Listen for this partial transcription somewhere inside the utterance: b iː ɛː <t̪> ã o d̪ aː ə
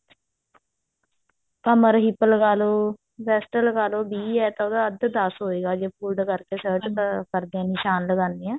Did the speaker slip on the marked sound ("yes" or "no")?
no